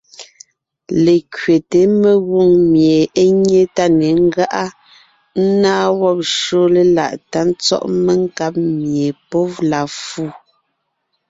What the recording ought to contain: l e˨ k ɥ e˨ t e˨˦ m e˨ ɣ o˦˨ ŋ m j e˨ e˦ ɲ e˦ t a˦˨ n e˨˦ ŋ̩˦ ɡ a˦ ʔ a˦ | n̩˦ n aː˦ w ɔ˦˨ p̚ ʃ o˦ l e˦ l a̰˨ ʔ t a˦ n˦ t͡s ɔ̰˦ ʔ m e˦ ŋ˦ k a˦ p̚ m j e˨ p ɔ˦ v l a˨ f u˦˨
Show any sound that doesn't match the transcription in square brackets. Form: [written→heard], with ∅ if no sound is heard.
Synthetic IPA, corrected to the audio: l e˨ k ɥ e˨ t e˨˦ m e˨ ɣ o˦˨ ŋ m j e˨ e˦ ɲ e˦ t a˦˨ n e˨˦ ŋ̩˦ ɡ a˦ ʔ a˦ | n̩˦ n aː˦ w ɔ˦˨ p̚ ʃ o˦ l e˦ l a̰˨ ʔ t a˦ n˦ t͡s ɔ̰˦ ʔ m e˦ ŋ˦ k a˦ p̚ m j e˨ p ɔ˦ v l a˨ f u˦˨